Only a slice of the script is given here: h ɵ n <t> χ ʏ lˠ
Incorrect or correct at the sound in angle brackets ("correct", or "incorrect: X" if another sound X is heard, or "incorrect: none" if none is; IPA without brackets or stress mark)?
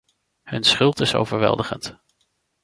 incorrect: s